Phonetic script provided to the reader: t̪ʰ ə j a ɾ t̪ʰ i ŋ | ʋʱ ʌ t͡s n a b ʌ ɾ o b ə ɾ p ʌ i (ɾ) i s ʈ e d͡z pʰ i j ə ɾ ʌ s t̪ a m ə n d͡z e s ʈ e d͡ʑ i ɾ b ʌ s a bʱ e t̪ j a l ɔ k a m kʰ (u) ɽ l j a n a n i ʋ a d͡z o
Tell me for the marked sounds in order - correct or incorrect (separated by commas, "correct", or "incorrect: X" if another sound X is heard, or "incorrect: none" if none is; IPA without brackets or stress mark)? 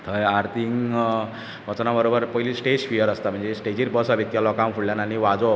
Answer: incorrect: l, correct